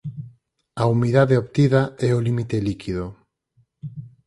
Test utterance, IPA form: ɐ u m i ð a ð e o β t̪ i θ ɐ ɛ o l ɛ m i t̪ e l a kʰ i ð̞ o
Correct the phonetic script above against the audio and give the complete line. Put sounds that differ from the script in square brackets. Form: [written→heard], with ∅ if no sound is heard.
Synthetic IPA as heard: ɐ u m i ð a ð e o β t̪ i [θ→ð] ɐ ɛ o l [ɛ→i] m i t̪ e l [a→i] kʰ i ð̞ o